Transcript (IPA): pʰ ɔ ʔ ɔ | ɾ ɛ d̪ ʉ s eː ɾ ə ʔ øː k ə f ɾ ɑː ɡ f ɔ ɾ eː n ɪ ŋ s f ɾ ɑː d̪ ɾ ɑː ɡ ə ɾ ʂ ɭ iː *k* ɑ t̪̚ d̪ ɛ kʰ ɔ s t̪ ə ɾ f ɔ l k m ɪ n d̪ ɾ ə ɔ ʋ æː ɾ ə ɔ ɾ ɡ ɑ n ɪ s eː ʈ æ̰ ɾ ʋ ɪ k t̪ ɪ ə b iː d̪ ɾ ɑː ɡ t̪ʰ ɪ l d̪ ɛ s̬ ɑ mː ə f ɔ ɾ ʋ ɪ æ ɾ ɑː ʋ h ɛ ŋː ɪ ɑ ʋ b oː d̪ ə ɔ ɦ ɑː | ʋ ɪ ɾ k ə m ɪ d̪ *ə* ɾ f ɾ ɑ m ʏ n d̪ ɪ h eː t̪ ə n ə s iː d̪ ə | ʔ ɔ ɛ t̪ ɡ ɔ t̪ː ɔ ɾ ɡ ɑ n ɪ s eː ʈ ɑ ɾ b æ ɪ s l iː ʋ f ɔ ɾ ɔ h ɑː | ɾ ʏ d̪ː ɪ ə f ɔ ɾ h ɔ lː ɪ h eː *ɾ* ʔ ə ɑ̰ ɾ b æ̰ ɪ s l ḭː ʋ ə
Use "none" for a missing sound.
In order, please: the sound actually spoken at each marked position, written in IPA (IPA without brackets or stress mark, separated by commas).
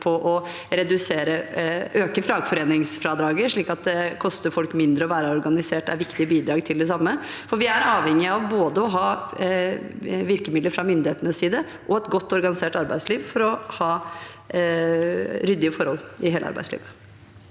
k, ə, l